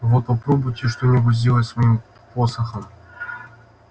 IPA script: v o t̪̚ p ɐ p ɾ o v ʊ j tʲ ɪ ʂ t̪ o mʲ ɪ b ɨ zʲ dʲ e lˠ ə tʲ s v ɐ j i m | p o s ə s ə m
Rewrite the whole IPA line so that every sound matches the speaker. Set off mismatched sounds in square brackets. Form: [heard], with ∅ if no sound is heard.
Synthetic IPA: v o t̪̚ p ɐ p ɾ o [b] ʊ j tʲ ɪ ʂ t̪ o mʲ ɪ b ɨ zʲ dʲ e lˠ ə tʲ s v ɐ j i m | p o s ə [x] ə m